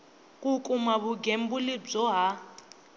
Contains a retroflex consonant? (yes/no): yes